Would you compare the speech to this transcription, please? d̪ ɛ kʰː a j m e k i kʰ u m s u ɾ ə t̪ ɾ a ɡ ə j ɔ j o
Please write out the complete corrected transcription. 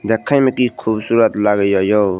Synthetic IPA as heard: d̪ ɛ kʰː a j m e k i kʰ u b s u ɾ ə t̪ l a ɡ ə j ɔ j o